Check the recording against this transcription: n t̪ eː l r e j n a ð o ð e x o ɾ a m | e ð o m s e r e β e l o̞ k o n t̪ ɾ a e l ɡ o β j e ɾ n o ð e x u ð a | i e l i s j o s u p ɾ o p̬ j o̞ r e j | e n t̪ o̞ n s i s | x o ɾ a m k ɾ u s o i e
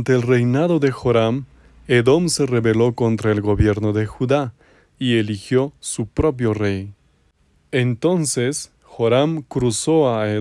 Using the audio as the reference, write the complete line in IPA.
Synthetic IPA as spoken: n t̪ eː l r e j n a ð o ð e x o ɾ a m | e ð o m s e r e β e l o̞ k o n t̪ ɾ a e l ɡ o β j e ɾ n o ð e x u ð a | i e l i x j o s u p ɾ o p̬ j o̞ r e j | e n t̪ o̞ n s e s | x o ɾ a m k ɾ u s o a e